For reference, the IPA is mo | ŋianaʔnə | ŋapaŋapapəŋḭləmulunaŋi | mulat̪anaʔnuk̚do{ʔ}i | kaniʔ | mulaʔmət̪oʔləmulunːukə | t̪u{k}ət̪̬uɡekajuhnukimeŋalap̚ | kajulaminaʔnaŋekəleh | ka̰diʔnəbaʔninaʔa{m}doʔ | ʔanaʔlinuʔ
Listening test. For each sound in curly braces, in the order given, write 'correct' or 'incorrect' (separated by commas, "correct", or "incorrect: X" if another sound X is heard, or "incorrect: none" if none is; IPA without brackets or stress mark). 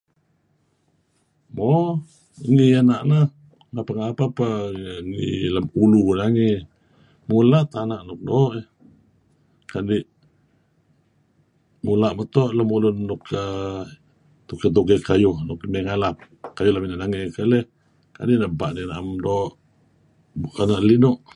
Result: correct, correct, correct